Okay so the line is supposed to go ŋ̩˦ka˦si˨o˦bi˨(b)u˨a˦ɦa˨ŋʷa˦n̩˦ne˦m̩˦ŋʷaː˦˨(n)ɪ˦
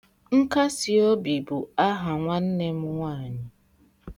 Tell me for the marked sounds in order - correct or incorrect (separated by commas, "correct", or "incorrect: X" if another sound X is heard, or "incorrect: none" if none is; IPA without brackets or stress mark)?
correct, incorrect: ɲ